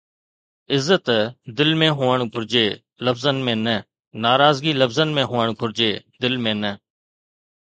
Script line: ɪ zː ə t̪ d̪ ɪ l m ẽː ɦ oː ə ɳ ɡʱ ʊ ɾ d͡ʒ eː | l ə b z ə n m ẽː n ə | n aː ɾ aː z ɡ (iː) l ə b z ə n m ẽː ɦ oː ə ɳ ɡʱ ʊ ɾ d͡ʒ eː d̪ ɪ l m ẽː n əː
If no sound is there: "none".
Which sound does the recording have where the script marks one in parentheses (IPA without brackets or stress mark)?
iː